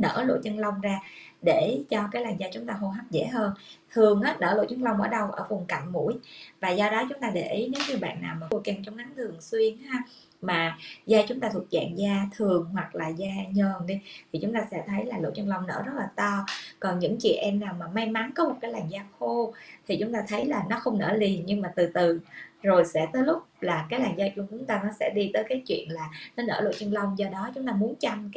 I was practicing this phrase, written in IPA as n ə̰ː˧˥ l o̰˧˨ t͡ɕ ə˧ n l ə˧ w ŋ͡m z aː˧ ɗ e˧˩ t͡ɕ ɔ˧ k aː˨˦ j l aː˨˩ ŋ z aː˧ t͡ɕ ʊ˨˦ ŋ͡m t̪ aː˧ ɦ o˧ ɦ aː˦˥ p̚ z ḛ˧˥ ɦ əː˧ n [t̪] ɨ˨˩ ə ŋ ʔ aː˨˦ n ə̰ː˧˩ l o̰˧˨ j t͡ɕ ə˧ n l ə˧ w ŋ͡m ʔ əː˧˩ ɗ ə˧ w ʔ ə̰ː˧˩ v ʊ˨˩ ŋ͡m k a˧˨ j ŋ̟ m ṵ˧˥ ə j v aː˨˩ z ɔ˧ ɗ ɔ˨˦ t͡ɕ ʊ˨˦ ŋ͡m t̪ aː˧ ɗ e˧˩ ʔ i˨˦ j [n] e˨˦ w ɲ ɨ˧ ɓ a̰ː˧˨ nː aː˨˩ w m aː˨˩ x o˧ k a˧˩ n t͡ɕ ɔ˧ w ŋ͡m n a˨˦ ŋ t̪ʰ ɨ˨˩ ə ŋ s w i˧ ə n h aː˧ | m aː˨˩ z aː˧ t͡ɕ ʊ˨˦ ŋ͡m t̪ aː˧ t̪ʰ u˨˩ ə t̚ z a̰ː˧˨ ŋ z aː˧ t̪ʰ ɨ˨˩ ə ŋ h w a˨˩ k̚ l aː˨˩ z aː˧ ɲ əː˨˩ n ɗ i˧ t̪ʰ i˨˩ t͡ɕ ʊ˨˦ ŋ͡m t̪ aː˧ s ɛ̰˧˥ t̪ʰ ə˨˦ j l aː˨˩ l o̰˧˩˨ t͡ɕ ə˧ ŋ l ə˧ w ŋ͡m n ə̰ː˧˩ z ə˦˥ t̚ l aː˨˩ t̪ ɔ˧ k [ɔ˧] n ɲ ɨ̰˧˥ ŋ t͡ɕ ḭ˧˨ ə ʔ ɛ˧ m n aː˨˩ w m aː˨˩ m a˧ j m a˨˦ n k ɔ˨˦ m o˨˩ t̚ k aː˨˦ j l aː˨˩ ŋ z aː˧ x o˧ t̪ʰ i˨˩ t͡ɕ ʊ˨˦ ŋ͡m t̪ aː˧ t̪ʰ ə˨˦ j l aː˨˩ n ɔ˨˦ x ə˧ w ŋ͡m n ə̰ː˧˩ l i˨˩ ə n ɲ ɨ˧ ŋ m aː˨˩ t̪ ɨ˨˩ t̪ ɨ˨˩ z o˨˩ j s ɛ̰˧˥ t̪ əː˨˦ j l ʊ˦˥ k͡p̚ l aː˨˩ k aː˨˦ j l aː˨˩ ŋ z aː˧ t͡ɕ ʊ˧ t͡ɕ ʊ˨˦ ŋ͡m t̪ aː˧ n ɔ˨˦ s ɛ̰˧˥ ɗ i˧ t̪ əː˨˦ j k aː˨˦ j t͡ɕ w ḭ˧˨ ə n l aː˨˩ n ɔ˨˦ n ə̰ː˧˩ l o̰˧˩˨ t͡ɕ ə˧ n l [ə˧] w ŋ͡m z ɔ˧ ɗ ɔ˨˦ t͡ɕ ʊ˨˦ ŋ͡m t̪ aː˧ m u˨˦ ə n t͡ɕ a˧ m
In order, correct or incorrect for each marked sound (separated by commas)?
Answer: incorrect, correct, incorrect, correct